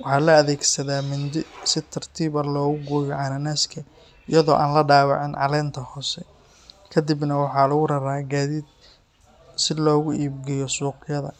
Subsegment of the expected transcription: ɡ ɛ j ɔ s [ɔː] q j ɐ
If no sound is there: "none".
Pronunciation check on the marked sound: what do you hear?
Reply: uː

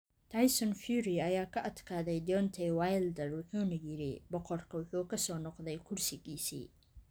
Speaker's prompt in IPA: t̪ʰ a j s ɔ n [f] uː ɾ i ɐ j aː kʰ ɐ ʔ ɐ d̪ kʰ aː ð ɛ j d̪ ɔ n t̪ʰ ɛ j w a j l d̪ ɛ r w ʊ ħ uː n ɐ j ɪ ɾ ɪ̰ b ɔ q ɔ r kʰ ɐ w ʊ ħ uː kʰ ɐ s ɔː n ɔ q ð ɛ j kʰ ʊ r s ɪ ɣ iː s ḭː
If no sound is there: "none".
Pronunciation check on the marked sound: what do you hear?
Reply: f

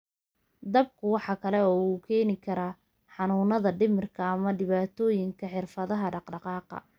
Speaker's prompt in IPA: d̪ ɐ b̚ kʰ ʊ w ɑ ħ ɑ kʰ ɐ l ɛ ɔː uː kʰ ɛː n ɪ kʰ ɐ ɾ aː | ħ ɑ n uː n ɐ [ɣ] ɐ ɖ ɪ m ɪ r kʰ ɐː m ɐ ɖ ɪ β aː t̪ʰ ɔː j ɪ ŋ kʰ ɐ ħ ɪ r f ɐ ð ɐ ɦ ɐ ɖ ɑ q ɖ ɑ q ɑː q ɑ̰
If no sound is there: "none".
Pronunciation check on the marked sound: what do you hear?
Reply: ð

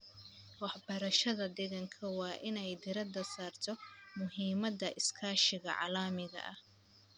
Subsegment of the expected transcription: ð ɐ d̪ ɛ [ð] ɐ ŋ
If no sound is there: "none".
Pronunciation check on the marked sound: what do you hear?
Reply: ɣ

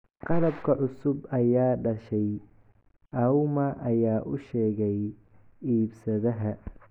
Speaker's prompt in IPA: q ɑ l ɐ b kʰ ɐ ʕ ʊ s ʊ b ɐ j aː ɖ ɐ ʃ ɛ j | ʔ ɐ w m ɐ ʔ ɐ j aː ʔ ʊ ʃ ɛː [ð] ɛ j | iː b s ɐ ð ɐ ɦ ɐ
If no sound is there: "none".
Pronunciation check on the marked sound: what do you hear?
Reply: ɣ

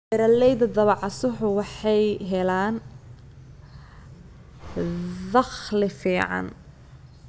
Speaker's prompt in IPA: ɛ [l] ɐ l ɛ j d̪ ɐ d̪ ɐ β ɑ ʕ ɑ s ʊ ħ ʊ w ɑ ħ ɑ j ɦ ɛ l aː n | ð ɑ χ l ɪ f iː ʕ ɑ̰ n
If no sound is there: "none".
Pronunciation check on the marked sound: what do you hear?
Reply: ɾ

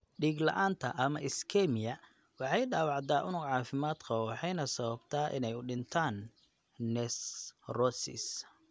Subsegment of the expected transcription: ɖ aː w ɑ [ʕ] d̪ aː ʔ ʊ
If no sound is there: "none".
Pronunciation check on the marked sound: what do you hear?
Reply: ʕ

